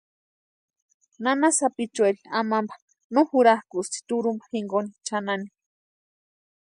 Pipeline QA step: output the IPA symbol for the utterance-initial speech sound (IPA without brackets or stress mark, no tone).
n